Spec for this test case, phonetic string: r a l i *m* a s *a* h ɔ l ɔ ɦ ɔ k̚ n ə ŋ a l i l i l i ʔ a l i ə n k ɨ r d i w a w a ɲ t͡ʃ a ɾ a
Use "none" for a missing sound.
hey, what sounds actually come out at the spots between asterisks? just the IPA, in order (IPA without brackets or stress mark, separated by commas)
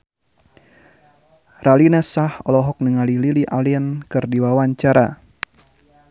n, a